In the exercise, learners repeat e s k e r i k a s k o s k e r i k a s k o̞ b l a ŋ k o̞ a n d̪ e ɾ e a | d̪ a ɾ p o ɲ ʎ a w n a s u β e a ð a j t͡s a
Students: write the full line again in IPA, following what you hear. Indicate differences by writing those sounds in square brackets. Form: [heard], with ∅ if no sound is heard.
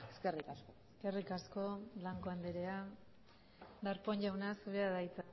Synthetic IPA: e s k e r i k a s k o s k e r i k a s k o̞ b l a ŋ k o̞ a n d̪ e ɾ e a | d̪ a ɾ p o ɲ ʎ a w n a s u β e a ð a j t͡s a